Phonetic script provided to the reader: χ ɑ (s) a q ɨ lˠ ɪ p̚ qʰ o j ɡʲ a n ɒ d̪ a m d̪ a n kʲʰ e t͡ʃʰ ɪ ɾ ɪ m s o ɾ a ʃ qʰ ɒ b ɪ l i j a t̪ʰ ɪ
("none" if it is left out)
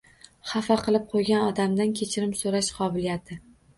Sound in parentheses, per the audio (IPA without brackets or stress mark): f